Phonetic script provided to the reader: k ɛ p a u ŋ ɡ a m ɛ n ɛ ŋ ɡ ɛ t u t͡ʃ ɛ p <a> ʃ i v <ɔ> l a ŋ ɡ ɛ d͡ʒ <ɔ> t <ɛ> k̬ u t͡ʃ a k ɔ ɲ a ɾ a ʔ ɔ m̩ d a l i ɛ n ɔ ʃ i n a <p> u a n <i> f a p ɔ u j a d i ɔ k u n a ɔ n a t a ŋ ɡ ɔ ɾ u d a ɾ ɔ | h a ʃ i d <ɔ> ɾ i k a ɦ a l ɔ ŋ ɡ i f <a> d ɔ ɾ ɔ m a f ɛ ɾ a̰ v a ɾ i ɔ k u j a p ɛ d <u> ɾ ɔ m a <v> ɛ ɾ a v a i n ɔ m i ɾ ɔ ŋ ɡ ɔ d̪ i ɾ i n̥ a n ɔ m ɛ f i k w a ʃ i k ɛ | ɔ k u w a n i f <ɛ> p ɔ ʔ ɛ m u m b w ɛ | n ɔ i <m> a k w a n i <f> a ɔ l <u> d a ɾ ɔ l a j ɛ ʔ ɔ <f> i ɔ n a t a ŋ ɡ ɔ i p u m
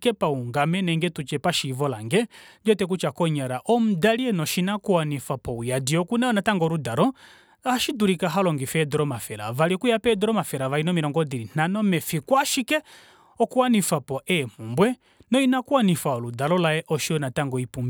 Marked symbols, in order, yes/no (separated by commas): yes, yes, yes, yes, no, yes, no, no, no, no, no, no, yes, yes, no